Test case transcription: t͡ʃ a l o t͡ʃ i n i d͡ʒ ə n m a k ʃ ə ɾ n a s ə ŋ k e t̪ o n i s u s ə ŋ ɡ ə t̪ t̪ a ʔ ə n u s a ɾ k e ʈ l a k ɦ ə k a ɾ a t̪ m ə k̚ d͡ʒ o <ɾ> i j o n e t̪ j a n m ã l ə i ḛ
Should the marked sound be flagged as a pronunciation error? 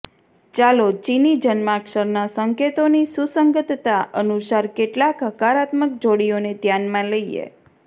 yes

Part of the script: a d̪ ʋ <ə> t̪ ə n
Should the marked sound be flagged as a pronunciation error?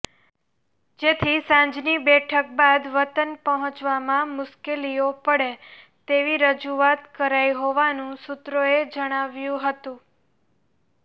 no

